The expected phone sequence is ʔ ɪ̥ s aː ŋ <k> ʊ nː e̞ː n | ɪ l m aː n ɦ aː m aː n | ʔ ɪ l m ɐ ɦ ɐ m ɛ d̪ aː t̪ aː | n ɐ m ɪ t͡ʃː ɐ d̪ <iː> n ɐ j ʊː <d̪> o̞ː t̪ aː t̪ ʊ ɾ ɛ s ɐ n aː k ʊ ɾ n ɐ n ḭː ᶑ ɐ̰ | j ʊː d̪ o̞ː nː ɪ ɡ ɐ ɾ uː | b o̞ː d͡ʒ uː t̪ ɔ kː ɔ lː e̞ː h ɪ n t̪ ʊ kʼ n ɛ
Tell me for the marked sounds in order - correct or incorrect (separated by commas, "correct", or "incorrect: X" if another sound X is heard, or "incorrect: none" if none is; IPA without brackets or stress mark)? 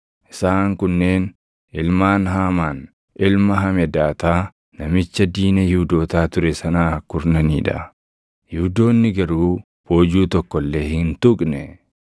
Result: correct, correct, correct